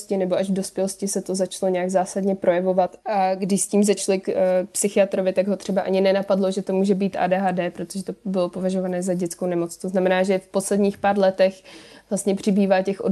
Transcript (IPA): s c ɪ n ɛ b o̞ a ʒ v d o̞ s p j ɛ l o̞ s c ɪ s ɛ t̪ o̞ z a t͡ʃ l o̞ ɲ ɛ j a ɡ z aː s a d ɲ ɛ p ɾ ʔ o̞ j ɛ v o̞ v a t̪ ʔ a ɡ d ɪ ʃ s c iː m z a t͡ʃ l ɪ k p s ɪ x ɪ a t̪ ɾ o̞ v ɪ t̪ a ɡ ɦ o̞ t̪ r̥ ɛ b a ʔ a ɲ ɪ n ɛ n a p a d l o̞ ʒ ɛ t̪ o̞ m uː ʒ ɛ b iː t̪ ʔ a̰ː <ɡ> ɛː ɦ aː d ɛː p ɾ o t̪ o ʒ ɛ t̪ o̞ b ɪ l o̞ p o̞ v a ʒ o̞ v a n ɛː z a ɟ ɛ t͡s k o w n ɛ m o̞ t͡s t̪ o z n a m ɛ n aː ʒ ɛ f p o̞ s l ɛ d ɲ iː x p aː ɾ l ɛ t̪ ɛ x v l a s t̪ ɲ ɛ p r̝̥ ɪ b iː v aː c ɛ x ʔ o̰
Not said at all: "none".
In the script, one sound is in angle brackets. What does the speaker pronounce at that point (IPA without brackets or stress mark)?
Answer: d